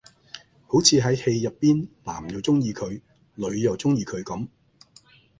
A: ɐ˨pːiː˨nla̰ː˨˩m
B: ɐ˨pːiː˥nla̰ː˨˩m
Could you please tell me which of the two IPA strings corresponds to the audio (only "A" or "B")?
B